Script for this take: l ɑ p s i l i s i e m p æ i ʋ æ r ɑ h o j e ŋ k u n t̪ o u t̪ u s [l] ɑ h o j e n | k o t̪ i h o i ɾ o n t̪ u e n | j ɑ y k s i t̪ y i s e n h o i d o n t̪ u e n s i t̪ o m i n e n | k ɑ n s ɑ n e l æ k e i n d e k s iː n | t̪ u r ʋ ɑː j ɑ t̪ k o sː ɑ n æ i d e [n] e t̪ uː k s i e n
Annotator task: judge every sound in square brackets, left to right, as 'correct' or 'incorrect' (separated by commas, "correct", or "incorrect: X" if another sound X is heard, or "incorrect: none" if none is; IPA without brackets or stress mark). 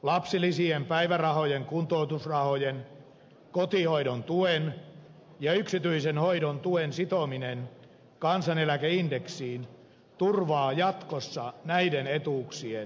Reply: incorrect: r, correct